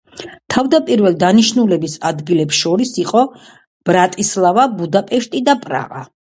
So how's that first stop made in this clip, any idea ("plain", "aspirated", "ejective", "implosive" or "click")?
aspirated